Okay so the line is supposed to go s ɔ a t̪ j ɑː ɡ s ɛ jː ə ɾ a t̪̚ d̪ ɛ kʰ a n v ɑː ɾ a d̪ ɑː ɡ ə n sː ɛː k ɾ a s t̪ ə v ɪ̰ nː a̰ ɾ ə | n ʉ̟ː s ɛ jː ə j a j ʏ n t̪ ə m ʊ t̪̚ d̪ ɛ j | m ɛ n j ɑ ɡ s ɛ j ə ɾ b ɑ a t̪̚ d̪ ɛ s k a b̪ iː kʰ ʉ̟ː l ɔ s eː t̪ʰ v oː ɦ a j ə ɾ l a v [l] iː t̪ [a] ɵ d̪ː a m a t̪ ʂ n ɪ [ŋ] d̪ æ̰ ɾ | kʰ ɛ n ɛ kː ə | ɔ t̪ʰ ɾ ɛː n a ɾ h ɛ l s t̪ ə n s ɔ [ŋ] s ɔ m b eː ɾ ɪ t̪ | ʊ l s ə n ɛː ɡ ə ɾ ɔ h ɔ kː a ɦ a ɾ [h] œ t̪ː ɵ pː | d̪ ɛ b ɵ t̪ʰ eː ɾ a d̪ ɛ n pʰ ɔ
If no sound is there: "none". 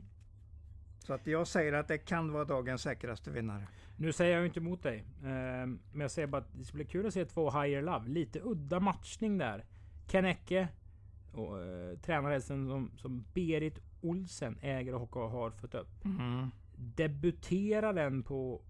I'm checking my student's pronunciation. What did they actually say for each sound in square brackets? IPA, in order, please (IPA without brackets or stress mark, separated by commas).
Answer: l, ə, ŋ, m, f